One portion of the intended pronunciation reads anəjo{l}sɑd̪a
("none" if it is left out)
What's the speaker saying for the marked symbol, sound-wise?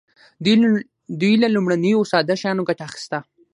none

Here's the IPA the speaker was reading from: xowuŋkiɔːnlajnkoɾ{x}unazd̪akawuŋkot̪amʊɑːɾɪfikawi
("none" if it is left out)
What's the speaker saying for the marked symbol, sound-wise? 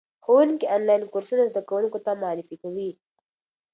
s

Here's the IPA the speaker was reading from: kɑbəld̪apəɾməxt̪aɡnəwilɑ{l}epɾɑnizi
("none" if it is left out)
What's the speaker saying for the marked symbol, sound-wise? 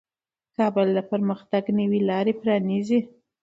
ɾ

